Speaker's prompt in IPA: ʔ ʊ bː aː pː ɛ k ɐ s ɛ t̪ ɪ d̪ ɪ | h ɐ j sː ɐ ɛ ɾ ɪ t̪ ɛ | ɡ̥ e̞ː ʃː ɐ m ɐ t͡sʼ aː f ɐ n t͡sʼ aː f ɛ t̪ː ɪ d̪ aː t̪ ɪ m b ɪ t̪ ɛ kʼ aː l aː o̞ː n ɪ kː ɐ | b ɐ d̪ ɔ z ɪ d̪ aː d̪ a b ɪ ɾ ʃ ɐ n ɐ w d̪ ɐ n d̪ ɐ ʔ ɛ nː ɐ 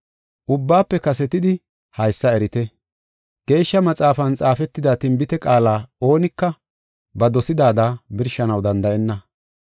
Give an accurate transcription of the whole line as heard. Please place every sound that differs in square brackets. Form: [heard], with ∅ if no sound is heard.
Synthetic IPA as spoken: ʔ ʊ bː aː pː ɛ k ɐ s ɛ t̪ ɪ d̪ ɪ | h ɐ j sː ɐ ɛ ɾ ɪ t̪ ɛ | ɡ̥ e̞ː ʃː ɐ m ɐ t͡sʼ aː f ɐ n t͡sʼ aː f ɛ t̪ː ɪ d̪ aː t̪ ɪ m b ɪ t̪ ɛ kʼ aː l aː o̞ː n ɪ kː ɐ | b ɐ d̪ ɔ [s] ɪ d̪ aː d̪ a b ɪ ɾ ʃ ɐ n ɐ w d̪ ɐ n d̪ ɐ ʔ ɛ nː ɐ